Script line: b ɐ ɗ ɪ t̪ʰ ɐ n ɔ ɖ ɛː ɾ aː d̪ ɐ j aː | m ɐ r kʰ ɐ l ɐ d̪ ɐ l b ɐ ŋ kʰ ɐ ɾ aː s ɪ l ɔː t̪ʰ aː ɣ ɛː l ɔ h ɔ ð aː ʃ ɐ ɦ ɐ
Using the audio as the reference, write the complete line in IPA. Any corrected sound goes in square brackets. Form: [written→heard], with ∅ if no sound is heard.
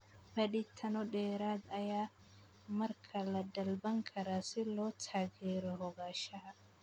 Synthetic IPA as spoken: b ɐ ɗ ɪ t̪ʰ ɐ n ɔ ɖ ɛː ɾ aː d̪ ɐ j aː | m ɐ r kʰ ɐ l ɐ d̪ ɐ l b ɐ ŋ kʰ ɐ ɾ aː s ɪ l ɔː t̪ʰ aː ɣ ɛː [l→ɾ] ɔ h ɔ [ð→ɣ] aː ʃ ɐ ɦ ɐ